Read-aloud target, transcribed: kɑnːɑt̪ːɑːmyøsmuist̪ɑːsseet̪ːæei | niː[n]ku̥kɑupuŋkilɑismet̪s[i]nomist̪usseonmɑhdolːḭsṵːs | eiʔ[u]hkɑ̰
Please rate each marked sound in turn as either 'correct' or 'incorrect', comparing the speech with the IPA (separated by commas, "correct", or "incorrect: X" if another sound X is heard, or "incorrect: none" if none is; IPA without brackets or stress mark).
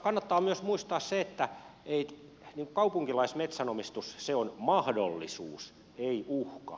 incorrect: ŋ, incorrect: æ, correct